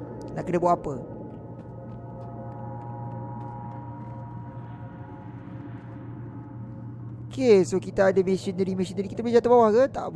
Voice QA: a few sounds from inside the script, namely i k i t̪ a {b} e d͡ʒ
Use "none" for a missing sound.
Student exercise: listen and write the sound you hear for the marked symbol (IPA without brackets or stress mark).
b